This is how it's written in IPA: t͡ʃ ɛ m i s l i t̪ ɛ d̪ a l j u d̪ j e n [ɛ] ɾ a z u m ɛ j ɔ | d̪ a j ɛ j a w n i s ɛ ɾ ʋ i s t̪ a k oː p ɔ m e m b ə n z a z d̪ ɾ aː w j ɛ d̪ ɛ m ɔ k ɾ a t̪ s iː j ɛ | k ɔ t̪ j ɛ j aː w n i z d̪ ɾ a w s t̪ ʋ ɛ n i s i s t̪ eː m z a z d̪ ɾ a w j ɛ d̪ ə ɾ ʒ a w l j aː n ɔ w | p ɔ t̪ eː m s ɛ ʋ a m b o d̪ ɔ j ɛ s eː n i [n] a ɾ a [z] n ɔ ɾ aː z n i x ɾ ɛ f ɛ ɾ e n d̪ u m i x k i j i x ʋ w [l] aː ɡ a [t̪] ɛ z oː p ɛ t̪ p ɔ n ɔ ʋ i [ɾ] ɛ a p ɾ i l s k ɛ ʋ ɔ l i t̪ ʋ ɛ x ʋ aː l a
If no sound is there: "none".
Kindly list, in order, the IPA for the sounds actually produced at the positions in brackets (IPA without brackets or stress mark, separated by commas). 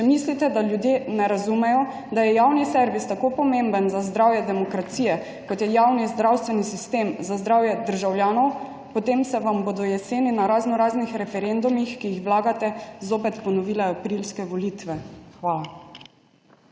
ɛ, n, z, l, t̪, l